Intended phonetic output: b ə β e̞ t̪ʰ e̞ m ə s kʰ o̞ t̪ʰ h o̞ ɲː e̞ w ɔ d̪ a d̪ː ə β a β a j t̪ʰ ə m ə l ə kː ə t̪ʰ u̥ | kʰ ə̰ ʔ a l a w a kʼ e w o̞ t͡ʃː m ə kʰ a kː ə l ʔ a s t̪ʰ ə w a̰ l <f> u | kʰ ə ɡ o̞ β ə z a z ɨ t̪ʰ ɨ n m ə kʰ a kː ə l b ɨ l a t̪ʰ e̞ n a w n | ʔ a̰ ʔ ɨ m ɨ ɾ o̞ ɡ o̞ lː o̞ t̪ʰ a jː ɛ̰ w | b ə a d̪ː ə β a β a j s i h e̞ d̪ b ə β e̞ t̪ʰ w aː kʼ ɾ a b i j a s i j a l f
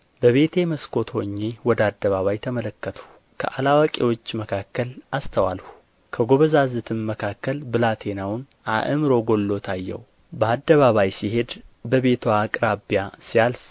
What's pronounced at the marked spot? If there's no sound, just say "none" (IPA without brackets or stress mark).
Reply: h